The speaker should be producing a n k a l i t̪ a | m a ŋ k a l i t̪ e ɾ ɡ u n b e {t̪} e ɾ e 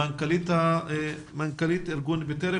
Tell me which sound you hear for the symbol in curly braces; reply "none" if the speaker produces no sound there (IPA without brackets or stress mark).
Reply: t̪